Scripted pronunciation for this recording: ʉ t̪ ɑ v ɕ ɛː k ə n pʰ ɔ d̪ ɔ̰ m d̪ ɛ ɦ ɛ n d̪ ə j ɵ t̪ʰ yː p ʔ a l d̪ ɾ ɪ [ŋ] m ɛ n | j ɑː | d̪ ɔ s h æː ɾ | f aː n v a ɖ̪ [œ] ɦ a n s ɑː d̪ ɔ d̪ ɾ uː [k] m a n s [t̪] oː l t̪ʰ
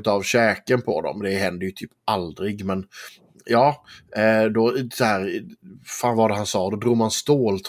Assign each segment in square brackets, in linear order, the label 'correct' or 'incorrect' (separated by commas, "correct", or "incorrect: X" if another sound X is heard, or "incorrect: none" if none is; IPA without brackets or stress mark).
incorrect: ɡ, incorrect: ɛ, incorrect: ɡ, correct